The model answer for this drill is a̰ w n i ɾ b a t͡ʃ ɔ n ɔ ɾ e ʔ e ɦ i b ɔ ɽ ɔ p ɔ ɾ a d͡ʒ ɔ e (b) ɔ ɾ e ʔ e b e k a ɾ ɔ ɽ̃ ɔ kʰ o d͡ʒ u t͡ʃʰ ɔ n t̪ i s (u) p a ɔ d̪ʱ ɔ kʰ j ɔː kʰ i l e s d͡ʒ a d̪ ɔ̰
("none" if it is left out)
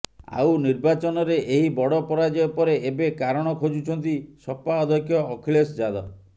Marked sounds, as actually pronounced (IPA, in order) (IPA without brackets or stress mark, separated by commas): p, ɔ